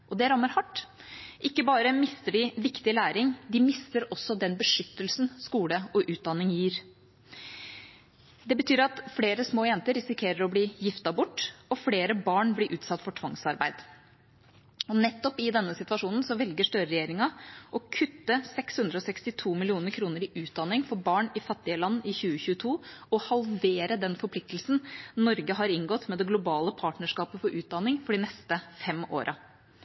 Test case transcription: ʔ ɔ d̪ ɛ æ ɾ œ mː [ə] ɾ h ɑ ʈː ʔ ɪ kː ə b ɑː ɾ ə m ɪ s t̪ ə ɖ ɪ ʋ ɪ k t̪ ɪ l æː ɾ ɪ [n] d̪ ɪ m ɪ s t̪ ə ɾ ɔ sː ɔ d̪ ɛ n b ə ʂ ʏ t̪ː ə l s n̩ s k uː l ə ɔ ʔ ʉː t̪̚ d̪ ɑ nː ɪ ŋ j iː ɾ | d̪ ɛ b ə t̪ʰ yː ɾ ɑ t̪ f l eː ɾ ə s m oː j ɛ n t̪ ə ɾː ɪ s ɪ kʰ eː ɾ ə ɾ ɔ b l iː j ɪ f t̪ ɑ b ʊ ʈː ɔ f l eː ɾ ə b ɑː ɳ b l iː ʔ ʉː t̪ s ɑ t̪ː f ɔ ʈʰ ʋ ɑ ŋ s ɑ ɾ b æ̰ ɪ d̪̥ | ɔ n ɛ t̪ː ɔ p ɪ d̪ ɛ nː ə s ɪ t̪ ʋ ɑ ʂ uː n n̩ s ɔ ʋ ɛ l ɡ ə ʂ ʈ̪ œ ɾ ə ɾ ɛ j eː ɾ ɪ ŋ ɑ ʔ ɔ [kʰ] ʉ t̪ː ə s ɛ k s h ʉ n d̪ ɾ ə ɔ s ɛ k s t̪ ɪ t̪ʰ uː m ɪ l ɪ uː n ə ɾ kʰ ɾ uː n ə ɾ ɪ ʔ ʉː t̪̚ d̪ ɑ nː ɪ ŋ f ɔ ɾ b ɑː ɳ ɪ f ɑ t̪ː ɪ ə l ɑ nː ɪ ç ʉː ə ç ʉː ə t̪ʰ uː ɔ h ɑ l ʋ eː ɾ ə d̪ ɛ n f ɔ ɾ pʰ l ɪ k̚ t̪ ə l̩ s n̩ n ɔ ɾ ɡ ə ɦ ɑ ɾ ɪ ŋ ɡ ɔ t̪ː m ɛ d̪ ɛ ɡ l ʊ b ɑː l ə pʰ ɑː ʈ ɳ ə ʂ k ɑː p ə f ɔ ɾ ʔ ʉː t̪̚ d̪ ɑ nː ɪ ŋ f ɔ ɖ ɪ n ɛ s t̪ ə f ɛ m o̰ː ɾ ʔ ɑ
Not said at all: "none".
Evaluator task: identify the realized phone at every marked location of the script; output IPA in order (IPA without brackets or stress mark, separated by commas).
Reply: ə, ŋ, kʰ